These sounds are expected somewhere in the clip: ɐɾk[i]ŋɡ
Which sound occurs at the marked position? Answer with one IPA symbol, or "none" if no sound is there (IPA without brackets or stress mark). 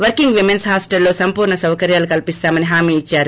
i